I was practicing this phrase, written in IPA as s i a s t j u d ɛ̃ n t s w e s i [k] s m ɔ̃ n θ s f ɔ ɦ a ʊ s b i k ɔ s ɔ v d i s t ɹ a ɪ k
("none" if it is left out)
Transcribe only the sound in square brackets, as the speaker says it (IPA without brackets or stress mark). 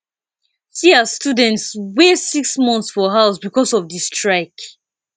k